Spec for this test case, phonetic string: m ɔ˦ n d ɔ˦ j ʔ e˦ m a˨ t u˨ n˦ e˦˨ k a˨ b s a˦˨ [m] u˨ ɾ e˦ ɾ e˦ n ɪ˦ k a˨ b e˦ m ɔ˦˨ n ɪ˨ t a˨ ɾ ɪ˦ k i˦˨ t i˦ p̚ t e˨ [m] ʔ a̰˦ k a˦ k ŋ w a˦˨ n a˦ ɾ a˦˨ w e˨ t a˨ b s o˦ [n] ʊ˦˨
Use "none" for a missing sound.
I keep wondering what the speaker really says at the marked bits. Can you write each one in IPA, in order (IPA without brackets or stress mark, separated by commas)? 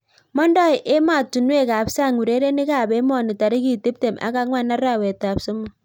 ŋ, m, m